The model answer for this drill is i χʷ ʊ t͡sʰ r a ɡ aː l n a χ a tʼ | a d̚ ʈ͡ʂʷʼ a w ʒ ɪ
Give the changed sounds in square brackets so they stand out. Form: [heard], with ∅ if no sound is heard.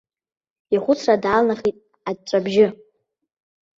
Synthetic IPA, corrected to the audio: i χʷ ʊ t͡sʰ r a [d] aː l n a χ [i] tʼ | a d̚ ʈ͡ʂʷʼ a [b] ʒ ɪ

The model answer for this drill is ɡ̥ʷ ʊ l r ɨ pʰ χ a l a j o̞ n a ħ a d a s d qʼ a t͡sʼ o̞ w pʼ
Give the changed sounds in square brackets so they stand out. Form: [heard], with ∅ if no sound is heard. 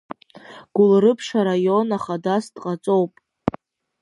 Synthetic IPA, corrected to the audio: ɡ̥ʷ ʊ l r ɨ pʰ [ʂ] a [ɾ] a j o̞ n a [χ] a d a s d qʼ a t͡sʼ o̞ w pʼ

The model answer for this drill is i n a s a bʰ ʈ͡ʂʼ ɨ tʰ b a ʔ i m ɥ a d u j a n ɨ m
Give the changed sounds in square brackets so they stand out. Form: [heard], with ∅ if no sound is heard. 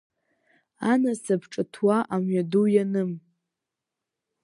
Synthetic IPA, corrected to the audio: [a] n a s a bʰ ʈ͡ʂʼ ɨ tʰ [w] a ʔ [a] m ɥ a d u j a n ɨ m

